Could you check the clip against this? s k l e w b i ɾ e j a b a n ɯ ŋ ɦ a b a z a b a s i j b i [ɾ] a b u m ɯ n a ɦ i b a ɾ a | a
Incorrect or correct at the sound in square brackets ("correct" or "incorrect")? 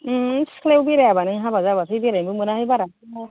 correct